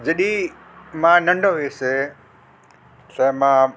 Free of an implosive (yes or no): no